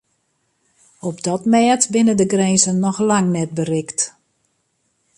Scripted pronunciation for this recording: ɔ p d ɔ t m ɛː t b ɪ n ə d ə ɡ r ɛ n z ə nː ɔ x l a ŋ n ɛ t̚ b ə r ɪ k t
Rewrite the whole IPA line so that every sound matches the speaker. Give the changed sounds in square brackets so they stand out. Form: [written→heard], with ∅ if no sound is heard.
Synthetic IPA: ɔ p d ɔ t m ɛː t b ɪ n ə d ə ɡ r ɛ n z ə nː ɔ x l a ŋ n ɛ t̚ b ə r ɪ k t